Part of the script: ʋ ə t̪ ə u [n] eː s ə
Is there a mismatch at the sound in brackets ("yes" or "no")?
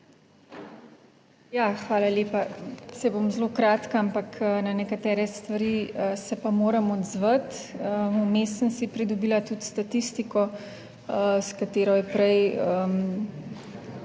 yes